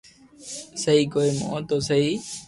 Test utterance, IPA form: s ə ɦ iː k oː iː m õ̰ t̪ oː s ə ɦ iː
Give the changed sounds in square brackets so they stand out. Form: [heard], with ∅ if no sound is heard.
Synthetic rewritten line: s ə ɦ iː k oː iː m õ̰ t̪ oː s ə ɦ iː